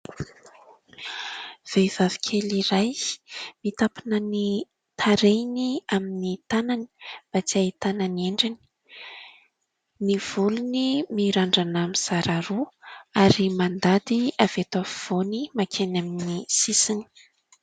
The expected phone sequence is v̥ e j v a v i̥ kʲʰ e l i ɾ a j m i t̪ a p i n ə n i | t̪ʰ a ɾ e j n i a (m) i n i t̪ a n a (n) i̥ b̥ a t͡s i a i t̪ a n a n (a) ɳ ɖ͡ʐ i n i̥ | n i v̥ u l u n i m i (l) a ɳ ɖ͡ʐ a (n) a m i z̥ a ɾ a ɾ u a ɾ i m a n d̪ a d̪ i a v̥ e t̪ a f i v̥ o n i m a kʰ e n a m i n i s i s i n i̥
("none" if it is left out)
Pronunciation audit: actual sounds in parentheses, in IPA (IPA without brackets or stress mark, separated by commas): m, n, e, ɾ, n